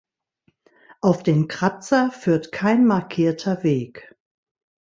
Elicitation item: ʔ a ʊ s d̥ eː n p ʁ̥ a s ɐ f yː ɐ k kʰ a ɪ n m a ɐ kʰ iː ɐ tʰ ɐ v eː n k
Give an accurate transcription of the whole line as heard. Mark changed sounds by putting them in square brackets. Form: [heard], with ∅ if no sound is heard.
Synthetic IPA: ʔ a ʊ [f] d̥ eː n [k] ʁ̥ a [t͡s] ɐ f yː ɐ [t] kʰ a ɪ n m a ɐ kʰ iː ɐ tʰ ɐ v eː [∅] k